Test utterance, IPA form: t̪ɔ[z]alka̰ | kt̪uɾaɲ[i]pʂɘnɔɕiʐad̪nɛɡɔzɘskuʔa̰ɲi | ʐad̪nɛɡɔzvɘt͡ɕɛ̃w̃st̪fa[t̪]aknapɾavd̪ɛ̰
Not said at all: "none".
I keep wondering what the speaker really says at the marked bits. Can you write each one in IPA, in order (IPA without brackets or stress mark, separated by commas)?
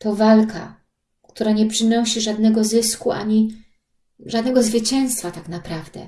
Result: v, ɛ, t̪